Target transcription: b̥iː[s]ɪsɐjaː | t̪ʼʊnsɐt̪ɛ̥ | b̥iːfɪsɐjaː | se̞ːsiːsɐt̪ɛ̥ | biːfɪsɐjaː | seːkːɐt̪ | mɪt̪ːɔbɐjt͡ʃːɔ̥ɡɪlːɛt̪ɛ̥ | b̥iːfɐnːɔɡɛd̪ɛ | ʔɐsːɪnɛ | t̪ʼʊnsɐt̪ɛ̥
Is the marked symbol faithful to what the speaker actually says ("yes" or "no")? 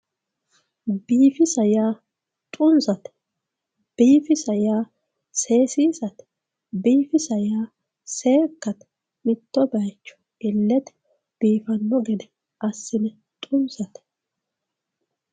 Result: no